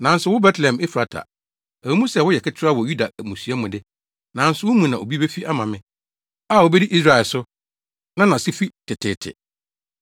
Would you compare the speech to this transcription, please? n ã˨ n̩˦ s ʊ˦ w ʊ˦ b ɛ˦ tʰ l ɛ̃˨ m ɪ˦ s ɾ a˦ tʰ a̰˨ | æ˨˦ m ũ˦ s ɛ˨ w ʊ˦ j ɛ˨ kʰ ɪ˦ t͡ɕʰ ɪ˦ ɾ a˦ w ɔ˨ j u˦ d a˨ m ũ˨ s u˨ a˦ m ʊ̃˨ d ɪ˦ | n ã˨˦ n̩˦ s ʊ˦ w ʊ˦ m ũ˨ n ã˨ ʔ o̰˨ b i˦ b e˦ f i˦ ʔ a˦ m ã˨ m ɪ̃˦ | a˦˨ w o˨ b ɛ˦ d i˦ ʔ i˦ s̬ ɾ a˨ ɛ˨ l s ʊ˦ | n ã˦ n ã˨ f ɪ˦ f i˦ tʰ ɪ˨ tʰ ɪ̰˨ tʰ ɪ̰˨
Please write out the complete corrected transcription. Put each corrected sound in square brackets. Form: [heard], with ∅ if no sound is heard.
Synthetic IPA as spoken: n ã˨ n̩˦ s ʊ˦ w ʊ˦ b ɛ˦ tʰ l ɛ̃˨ m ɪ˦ [f] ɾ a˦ tʰ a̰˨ | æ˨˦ m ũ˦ s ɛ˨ w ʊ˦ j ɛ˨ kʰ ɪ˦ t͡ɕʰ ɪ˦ ɾ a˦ w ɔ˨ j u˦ d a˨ m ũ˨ s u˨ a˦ m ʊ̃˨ d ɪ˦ | n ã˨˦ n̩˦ s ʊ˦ w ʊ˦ m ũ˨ n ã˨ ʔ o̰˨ b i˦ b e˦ f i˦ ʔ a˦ m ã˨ m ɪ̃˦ | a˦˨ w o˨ b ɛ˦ d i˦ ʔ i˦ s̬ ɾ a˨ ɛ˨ l s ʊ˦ | n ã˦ n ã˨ [s] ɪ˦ f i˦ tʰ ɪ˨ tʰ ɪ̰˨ tʰ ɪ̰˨